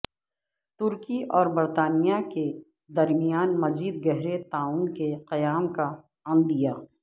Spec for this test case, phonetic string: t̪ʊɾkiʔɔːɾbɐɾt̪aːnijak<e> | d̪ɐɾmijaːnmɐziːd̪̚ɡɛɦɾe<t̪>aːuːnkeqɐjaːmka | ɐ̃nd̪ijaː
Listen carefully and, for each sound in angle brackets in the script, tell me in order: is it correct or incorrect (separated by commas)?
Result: correct, correct